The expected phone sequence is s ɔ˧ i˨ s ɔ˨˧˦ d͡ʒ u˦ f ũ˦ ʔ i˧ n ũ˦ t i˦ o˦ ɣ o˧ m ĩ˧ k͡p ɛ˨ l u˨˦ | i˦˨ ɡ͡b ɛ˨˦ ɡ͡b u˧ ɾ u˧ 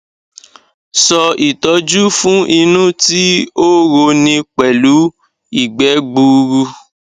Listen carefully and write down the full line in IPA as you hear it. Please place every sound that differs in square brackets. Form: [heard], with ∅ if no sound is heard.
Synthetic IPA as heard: s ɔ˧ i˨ [t] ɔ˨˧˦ d͡ʒ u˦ f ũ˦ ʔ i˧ n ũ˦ t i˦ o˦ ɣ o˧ [n] ĩ˧ k͡p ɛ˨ l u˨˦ | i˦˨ ɡ͡b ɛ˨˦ ɡ͡b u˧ ɾ u˧